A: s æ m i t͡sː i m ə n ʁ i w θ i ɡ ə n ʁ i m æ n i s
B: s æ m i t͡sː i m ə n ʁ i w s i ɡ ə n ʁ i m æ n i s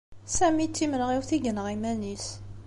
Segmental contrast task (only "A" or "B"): A